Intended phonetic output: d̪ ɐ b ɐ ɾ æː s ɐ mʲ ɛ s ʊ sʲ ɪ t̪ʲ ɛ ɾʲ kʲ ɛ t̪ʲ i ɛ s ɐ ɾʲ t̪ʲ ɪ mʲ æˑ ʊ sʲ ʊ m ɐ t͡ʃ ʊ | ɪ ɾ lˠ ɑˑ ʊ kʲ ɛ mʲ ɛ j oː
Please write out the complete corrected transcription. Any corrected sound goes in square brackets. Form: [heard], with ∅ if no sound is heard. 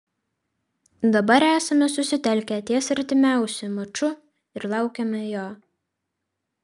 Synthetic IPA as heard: d̪ ɐ b ɐ ɾ æː s ɐ mʲ ɛ s ʊ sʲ ɪ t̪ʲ ɛ [lʲ] kʲ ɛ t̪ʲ i ɛ s ɐ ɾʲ t̪ʲ ɪ mʲ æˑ ʊ sʲ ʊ m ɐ t͡ʃ ʊ | ɪ ɾ lˠ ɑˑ ʊ kʲ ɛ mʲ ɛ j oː